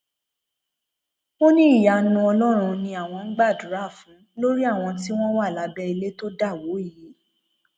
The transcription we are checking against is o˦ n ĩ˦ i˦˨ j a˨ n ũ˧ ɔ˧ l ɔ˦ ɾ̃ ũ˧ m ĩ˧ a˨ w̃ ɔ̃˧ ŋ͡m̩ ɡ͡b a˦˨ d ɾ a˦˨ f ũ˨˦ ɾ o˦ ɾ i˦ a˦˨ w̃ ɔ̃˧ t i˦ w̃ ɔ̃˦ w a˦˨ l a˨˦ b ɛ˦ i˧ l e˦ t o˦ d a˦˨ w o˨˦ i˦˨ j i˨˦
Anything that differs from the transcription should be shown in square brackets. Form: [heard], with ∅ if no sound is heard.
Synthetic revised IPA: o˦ n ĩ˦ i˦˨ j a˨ n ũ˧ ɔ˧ l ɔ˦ ɾ̃ ũ˧ [n] ĩ˧ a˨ w̃ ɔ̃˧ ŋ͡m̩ ɡ͡b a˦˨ d ɾ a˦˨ f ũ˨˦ [l] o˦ ɾ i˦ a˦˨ w̃ ɔ̃˧ t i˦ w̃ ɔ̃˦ w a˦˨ l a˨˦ b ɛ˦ i˧ l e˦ t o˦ d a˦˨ w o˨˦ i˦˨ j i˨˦